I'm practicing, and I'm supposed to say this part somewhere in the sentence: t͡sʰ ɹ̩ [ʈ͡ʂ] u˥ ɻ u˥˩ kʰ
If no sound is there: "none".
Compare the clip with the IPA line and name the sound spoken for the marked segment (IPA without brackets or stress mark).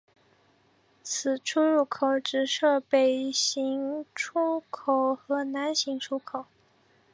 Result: ʈ͡ʂʰ